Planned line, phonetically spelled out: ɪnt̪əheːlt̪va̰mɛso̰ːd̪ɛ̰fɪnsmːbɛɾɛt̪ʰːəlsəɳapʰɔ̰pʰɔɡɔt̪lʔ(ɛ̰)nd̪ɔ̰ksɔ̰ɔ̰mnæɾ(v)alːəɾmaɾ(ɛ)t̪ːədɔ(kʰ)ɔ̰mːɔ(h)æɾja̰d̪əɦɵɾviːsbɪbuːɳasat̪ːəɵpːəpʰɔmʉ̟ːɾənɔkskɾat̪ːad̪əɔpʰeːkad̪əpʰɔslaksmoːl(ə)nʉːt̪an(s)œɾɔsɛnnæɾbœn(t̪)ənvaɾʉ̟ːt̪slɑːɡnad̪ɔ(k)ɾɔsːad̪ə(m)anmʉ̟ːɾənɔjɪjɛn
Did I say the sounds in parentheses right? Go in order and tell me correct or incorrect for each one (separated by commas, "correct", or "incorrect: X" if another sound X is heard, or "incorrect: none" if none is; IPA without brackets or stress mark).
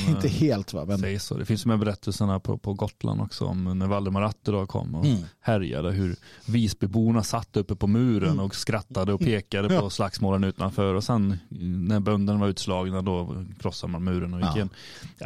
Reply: incorrect: a̰, correct, incorrect: a, correct, correct, correct, incorrect: f, incorrect: d̪, incorrect: kʰ, correct